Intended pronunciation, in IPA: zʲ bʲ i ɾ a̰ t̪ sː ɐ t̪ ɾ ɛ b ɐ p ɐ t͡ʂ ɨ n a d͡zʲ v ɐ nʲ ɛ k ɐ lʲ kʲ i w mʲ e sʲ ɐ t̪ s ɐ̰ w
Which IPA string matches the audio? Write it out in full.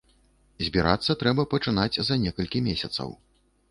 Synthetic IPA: zʲ bʲ i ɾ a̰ t̪ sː ɐ t̪ ɾ ɛ b ɐ p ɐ t͡ʂ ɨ n a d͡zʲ z ɐ nʲ ɛ k ɐ lʲ kʲ i mʲ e sʲ ɐ t̪ s ɐ̰ w